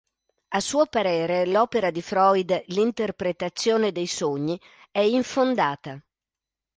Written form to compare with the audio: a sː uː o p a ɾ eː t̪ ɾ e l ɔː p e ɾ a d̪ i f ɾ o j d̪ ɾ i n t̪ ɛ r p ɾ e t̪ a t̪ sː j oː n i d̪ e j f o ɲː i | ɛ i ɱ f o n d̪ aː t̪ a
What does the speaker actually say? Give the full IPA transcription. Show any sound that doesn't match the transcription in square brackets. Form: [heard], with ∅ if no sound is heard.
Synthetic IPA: a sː uː o p a ɾ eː [∅] ɾ e l ɔː p e ɾ a d̪ i f ɾ [ɔ] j d̪ [l] i n t̪ [e] r p ɾ e t̪ a t̪ sː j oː n [e] d̪ e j [s] o ɲː i | ɛ i ɱ f o n d̪ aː t̪ a